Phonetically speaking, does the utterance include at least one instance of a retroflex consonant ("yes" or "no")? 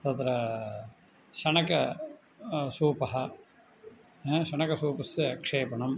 yes